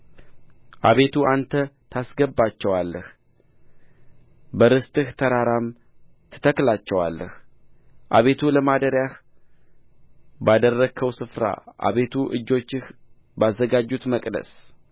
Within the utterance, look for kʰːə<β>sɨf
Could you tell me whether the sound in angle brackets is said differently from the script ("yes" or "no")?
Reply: yes